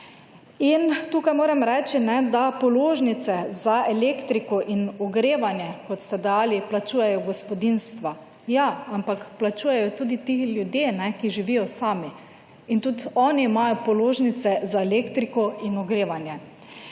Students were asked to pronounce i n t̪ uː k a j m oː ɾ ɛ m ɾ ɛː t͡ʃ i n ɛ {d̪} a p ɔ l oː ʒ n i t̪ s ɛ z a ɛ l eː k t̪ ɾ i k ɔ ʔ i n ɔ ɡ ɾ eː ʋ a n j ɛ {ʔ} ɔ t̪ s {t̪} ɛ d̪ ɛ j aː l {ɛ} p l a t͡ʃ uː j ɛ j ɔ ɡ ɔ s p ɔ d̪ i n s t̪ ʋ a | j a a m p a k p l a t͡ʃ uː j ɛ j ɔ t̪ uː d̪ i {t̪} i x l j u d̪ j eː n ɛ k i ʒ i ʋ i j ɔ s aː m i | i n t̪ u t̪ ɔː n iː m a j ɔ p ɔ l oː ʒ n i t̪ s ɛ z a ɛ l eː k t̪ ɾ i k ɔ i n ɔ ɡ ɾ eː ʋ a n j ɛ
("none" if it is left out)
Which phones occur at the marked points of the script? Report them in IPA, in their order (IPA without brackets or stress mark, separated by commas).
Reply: d̪, k, t̪, i, t̪